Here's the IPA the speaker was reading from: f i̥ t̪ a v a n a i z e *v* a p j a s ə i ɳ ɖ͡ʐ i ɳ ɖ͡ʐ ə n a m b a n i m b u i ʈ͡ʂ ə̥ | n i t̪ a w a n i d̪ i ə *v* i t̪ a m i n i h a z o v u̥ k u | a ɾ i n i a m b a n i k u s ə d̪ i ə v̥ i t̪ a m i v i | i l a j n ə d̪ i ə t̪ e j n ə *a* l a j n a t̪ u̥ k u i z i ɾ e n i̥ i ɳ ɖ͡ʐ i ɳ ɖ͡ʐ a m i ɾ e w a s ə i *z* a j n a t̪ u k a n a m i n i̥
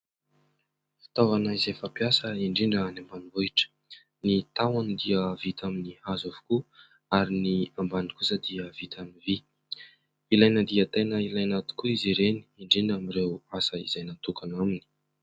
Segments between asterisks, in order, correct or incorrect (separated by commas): incorrect, correct, incorrect, correct